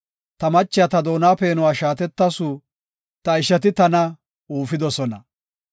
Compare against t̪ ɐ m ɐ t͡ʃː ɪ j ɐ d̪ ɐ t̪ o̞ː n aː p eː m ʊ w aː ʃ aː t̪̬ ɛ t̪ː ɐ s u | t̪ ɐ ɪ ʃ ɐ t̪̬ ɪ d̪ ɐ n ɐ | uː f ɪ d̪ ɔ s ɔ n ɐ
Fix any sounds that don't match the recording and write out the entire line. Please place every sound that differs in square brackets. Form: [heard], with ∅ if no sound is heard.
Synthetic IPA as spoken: t̪ ɐ m ɐ t͡ʃː ɪ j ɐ [t̪] ɐ [d̪] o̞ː n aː p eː [n] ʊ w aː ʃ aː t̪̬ ɛ t̪ː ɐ s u | t̪ ɐ ɪ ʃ ɐ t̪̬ ɪ [t̪] ɐ n ɐ | uː f ɪ d̪ ɔ s ɔ n ɐ